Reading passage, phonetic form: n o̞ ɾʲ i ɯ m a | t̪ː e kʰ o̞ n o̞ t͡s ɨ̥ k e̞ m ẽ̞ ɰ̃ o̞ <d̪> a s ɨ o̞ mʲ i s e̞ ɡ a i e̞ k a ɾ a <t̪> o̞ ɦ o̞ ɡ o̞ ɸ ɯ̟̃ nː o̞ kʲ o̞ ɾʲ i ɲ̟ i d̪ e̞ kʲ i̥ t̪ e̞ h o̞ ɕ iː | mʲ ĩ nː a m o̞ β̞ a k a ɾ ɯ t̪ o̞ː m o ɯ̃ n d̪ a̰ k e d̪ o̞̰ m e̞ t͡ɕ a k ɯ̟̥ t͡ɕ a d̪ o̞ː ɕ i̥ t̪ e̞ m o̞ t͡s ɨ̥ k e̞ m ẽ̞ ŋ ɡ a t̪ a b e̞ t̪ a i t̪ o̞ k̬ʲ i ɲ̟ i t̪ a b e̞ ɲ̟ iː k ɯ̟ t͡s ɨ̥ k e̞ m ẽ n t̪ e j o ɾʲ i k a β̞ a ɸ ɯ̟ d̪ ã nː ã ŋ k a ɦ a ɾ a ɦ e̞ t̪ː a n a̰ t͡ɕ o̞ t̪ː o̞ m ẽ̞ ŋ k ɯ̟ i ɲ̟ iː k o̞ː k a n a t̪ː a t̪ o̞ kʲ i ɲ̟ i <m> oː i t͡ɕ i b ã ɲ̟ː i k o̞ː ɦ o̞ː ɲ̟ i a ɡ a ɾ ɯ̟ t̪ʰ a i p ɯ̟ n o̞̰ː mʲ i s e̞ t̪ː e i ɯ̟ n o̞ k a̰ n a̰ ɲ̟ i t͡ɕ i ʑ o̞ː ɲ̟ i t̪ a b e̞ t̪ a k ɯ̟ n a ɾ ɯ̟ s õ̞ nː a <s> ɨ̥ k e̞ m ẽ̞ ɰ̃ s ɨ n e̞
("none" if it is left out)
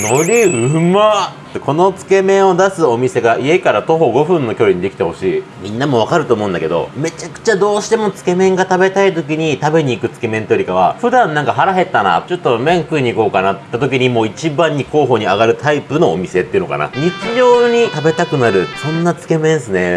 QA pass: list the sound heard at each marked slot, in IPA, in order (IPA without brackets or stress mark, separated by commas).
d̪, t̪, m, t͡s